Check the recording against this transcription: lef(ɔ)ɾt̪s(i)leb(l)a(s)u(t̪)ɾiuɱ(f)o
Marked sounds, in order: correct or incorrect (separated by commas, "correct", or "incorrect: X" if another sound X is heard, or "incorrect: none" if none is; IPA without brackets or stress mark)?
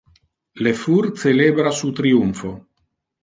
incorrect: u, incorrect: e, incorrect: ɾ, correct, correct, correct